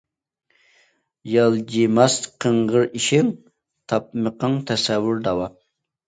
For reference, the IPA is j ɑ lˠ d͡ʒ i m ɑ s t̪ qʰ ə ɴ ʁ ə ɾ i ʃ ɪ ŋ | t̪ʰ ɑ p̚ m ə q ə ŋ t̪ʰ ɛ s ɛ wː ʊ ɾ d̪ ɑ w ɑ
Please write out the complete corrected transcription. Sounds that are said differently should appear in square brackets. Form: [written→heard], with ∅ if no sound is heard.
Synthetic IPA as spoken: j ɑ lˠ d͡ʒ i m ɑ s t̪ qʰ ə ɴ ʁ ə ɾ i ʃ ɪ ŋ | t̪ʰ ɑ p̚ m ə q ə ŋ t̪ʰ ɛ s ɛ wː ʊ ɾ d̪ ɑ w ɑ